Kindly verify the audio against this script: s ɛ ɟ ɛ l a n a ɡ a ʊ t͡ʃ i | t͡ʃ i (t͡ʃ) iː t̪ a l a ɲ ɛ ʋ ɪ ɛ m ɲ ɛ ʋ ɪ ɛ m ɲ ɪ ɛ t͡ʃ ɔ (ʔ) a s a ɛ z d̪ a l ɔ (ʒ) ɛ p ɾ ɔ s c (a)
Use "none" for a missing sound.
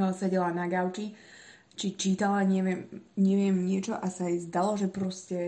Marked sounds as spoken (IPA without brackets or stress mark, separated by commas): t͡ʃ, ʔ, ʒ, ɛ